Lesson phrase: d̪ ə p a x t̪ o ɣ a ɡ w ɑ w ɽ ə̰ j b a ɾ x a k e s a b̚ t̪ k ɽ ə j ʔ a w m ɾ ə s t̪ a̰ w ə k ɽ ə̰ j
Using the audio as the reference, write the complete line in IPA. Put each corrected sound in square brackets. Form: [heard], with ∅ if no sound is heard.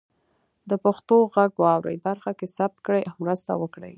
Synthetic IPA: d̪ ə p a x t̪ o ɣ a ɡ w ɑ w [ɾ] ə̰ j b a ɾ x a k e s a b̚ t̪ k ɽ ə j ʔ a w m ɾ ə s t̪ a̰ w ə k ɽ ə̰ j